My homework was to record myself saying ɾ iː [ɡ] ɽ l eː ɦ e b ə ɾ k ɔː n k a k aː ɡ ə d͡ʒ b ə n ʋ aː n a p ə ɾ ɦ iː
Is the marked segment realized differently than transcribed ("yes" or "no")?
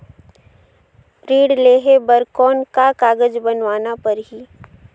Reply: yes